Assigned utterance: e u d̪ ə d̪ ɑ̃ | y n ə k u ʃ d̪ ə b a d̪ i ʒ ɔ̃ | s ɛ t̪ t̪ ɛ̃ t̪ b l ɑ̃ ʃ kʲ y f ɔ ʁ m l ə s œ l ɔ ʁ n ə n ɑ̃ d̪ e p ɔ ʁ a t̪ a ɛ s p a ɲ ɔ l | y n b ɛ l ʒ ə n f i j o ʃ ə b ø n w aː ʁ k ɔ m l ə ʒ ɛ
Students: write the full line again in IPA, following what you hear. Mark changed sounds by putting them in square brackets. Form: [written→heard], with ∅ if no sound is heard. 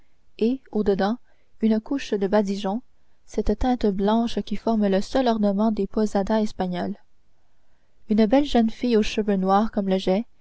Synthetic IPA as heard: e [u→o] d̪ ə d̪ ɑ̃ | y n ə k u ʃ d̪ ə b a d̪ i ʒ ɔ̃ | s ɛ t̪ t̪ ɛ̃ t̪ b l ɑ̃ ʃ kʲ [y→i] f ɔ ʁ m l ə s œ l ɔ ʁ n ə [n→m] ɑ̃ d̪ e p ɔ [ʁ→z] a [t̪→d̪] a ɛ s p a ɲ ɔ l | y n b ɛ l ʒ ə n f i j o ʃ ə [b→v] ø n w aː ʁ k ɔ m l ə ʒ ɛ